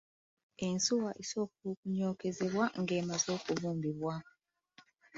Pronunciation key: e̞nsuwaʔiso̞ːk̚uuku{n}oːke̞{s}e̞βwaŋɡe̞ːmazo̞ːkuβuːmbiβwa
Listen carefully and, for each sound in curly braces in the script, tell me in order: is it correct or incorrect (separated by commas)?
incorrect, incorrect